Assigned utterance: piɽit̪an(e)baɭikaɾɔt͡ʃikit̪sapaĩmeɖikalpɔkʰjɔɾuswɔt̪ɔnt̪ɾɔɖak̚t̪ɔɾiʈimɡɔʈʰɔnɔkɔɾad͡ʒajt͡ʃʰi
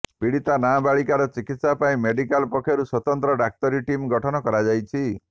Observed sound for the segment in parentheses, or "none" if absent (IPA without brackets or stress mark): a